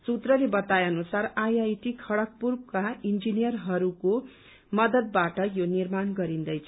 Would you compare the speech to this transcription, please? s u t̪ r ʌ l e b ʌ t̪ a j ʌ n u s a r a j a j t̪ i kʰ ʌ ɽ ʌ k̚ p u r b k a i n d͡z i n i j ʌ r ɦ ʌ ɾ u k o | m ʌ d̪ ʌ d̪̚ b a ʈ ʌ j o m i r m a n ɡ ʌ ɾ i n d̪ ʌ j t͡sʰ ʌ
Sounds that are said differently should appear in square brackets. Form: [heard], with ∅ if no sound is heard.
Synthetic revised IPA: s u t̪ r ʌ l e b ʌ t̪ a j ʌ n u s a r a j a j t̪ i kʰ ʌ ɽ ʌ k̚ p u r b k a i n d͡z i n i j ʌ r ɦ ʌ ɾ u k o | m ʌ d̪ ʌ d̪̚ b a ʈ ʌ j o [n] i r m a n ɡ ʌ ɾ i n d̪ ʌ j t͡sʰ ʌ

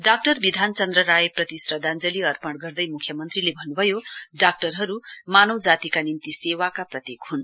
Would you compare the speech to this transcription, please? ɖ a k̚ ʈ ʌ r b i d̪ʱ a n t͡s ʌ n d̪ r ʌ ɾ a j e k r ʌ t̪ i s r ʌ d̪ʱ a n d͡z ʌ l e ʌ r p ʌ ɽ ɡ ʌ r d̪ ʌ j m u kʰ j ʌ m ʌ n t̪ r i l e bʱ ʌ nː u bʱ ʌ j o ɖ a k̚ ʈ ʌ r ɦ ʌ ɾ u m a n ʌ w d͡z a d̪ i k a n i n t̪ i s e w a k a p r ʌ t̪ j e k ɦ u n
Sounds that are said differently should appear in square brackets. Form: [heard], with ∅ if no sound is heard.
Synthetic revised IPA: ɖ a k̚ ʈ ʌ r b i d̪ʱ a n t͡s ʌ n d̪ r ʌ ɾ a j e [p] r ʌ t̪ i s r ʌ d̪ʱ a n d͡z ʌ l [i] ʌ r p ʌ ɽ ɡ ʌ r d̪ ʌ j m u kʰ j ʌ m ʌ n t̪ r i l e bʱ ʌ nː u bʱ ʌ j o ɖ a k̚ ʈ ʌ r ɦ ʌ ɾ u m a n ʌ w d͡z a [t̪] i k a n i n t̪ i s e w a k a p r ʌ t̪ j e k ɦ u n

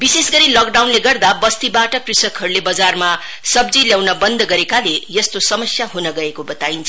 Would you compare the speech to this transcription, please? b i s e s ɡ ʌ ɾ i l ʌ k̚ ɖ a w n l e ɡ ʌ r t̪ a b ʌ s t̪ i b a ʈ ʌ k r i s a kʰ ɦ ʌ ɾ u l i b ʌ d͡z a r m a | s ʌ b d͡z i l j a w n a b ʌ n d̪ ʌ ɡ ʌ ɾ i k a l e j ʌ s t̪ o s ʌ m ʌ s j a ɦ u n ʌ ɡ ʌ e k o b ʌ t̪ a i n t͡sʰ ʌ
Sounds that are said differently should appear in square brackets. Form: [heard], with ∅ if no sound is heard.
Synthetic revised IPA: b i s e s ɡ ʌ ɾ i l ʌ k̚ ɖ a w n l e ɡ ʌ r [d̪] a b ʌ s t̪ i b a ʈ ʌ k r i s [ʌ] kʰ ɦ ʌ ɾ u l [e] b ʌ d͡z a r m a | s ʌ b d͡z i l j a w n [ʌ] b ʌ n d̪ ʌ ɡ ʌ ɾ [e] k a l e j ʌ s t̪ o s ʌ m ʌ s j a ɦ u n ʌ ɡ ʌ e k o b ʌ t̪ a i n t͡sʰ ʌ

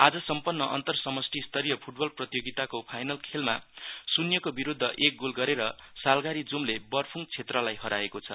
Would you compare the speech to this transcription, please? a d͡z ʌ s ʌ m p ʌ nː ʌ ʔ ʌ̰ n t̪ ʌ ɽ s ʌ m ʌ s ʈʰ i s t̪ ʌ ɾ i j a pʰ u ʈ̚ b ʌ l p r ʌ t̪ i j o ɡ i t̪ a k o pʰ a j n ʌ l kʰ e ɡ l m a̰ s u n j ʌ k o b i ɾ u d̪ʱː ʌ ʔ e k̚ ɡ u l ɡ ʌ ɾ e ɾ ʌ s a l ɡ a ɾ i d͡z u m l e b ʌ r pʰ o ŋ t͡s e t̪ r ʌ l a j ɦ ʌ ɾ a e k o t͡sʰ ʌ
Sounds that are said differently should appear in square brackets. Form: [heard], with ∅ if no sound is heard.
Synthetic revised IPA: a d͡z ʌ s ʌ m p ʌ nː ʌ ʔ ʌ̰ n t̪ ʌ [r] s ʌ m ʌ s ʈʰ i s t̪ ʌ ɾ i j [ʌ] pʰ u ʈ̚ b ʌ l p r ʌ t̪ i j o ɡ i t̪ a k o pʰ a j n ʌ l kʰ e [∅] l m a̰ s u n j ʌ k o b i ɾ u d̪ʱː ʌ ʔ e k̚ ɡ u l ɡ ʌ ɾ e ɾ ʌ s a l ɡ a ɾ i d͡z u m l e b ʌ r pʰ [u] ŋ [t͡sʰ] e t̪ r ʌ l a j ɦ ʌ ɾ a e k o t͡sʰ ʌ

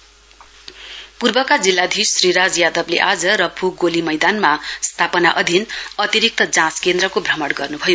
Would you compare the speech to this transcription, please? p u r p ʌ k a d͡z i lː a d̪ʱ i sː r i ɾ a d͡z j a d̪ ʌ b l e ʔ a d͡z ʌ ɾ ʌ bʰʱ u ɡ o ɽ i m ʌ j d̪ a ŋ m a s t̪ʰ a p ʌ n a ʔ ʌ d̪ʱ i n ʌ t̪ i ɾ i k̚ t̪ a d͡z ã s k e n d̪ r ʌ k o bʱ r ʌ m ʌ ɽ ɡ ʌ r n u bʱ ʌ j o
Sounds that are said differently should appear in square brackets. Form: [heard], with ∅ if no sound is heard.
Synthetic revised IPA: p u r [b] ʌ k a d͡z i lː a d̪ʱ i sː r i ɾ a d͡z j a d̪ ʌ b l e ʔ a d͡z ʌ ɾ ʌ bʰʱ u ɡ o [l] i m ʌ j d̪ a [n] m a s t̪ʰ a p ʌ n a ʔ ʌ d̪ʱ i n ʌ t̪ i ɾ i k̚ t̪ [ʌ] d͡z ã s k e n d̪ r ʌ k o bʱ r ʌ m ʌ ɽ ɡ ʌ r n u bʱ ʌ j o

